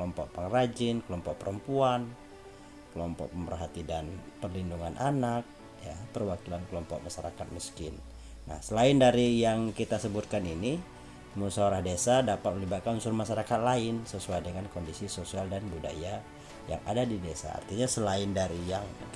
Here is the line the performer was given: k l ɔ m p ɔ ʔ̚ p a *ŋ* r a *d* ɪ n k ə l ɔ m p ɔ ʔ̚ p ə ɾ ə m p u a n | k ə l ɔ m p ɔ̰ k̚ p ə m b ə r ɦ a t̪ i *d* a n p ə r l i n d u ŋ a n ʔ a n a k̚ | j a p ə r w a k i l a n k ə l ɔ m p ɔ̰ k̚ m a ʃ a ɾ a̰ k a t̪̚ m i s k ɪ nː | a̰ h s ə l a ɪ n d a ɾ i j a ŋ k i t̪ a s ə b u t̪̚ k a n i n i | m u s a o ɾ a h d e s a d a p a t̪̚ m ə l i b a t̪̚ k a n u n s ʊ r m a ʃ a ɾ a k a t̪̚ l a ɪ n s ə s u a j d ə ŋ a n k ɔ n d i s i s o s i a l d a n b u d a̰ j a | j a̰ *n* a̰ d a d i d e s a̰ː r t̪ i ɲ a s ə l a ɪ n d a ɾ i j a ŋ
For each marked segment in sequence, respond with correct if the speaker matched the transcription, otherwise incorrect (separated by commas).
correct, incorrect, correct, incorrect